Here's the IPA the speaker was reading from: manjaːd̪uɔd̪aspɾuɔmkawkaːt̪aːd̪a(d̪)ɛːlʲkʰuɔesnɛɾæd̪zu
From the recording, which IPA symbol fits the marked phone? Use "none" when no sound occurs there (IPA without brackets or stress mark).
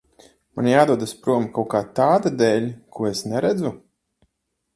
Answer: d̪